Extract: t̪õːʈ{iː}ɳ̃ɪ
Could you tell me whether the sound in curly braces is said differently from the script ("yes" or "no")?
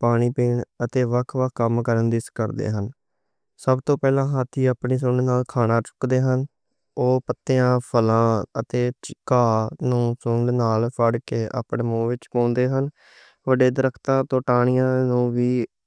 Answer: yes